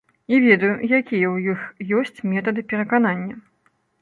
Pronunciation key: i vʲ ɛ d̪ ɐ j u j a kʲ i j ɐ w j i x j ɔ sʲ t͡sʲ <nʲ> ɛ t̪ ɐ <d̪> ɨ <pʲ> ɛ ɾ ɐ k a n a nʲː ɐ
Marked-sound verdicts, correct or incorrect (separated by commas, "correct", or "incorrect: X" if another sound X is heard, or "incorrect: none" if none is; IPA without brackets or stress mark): incorrect: mʲ, correct, correct